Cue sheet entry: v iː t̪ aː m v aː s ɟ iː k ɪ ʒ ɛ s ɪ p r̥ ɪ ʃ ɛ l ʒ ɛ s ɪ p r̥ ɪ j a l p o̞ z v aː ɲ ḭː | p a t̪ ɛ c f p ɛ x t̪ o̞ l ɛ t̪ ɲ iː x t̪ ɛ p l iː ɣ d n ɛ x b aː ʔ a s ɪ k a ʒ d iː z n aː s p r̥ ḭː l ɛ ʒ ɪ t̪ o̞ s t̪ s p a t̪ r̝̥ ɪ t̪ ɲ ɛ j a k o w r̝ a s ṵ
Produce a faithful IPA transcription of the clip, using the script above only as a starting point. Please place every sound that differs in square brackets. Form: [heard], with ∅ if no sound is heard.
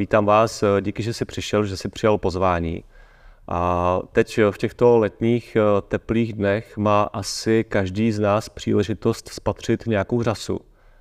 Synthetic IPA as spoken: v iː t̪ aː m v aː s ɟ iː k ɪ ʒ ɛ s ɪ p r̥ ɪ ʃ ɛ l ʒ ɛ s ɪ p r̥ ɪ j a l p o̞ z v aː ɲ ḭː | [ʔ] a t̪ ɛ c f [c] ɛ x t̪ o̞ l ɛ t̪ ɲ iː x t̪ ɛ p l iː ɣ d n ɛ x [m] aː ʔ a s ɪ k a ʒ d iː z n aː s p r̥ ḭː l ɛ ʒ ɪ t̪ o̞ s t̪ s p a t̪ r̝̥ ɪ t̪ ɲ ɛ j a k o w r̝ a s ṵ